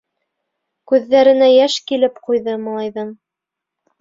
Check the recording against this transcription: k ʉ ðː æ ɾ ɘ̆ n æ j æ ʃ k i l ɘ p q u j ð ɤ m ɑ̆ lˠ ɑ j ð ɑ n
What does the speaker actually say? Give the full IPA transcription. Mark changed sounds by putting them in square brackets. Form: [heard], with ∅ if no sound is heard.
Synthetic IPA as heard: k ʉ ðː æ ɾ ɘ̆ n æ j æ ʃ k i l ɘ p q u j ð ɤ m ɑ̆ lˠ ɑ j ð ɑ n